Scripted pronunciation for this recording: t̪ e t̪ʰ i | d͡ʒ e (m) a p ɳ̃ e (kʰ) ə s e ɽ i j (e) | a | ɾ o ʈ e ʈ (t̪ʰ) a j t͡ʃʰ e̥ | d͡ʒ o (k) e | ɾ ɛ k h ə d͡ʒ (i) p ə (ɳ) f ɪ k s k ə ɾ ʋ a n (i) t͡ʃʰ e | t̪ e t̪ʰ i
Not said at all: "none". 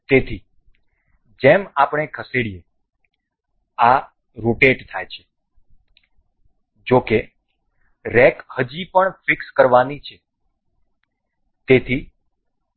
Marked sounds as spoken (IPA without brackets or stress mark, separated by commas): m, kʰ, e, t̪ʰ, k, i, ɳ, i